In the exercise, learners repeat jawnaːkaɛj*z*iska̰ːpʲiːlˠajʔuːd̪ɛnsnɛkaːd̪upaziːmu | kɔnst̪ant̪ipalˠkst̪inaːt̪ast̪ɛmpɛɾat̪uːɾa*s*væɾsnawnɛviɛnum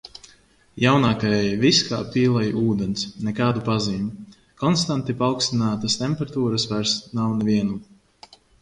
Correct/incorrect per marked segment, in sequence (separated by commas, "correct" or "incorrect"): incorrect, correct